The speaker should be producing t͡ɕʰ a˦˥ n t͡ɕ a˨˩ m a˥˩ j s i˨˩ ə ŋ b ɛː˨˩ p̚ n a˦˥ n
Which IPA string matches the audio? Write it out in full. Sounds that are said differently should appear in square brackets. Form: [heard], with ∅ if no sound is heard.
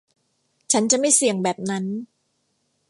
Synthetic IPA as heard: t͡ɕʰ a˦˥ n t͡ɕ a˨˩ m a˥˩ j s i˨˩ ə ŋ b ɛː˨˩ p̚ n a˦˥ n